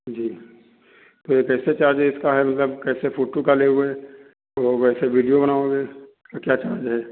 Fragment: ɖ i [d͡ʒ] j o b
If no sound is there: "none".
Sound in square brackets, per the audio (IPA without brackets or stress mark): none